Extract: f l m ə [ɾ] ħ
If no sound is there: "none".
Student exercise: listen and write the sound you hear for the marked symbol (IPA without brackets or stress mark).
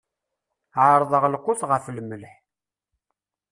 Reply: l